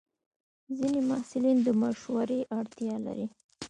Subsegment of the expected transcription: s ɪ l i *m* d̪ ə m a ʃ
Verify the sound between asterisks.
incorrect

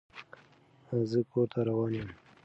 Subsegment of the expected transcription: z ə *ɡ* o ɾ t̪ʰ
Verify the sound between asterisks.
incorrect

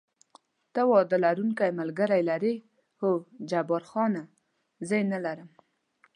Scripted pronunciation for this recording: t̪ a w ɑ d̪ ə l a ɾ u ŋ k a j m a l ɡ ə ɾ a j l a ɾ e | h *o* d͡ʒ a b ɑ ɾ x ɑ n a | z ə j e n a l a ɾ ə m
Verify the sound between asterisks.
correct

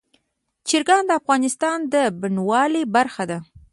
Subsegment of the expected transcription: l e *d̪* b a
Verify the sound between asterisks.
incorrect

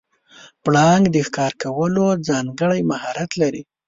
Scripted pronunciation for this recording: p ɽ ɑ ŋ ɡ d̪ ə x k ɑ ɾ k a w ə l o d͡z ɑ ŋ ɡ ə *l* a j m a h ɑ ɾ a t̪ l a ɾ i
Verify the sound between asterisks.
incorrect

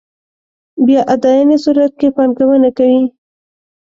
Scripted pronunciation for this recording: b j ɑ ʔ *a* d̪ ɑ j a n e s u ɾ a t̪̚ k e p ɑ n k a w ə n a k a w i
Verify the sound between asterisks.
correct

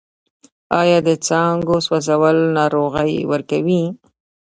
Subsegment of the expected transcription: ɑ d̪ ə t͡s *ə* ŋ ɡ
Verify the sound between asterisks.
incorrect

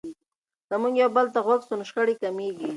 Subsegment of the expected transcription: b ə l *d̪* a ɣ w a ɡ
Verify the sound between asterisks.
incorrect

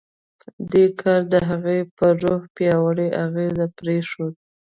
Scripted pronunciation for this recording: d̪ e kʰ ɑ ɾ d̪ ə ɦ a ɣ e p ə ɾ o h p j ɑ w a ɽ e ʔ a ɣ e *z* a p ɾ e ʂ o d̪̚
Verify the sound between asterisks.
correct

